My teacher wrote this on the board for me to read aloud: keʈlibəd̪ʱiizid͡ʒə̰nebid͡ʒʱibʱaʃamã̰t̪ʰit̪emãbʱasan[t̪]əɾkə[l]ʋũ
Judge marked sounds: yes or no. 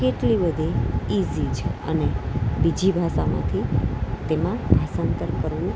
yes, no

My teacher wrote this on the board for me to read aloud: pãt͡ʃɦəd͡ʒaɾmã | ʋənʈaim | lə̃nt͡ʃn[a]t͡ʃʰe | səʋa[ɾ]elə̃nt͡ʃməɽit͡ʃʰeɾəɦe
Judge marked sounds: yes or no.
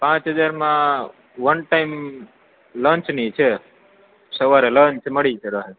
no, yes

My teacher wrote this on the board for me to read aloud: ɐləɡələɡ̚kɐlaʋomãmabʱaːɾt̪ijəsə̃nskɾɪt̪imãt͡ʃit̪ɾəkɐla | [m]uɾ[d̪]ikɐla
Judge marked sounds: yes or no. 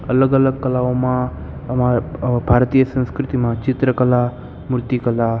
yes, no

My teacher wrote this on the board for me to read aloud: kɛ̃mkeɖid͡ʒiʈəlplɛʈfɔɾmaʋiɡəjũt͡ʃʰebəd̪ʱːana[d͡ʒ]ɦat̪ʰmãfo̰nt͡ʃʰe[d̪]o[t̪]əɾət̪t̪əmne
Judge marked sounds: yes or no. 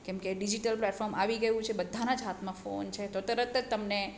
yes, no, yes

